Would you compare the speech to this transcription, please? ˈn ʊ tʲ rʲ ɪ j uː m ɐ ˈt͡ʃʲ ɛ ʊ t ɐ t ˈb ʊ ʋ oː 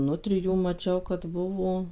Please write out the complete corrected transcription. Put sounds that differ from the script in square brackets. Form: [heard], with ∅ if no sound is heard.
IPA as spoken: ˈn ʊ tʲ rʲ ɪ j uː m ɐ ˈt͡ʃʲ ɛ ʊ [k] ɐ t ˈb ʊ ʋ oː